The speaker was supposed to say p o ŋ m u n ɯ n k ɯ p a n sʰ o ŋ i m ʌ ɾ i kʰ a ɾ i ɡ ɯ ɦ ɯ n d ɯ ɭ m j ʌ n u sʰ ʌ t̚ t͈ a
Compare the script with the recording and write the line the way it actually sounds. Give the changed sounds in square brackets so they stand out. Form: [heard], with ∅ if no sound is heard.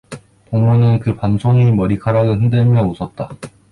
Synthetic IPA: p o ŋ m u n ɯ n k ɯ p a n sʰ o ŋ i m ʌ ɾ i kʰ a ɾ [a] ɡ ɯ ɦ ɯ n d ɯ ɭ m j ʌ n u sʰ ʌ t̚ t͈ a